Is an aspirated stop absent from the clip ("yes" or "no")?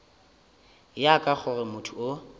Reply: no